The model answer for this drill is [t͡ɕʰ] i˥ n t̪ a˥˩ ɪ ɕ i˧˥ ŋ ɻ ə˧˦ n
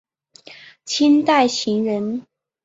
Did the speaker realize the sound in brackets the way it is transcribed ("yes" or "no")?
yes